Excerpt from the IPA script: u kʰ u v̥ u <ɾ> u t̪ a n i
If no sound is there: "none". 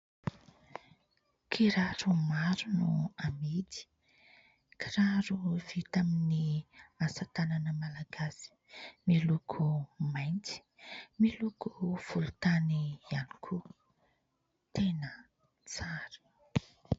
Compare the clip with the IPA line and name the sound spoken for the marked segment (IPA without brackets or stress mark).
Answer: l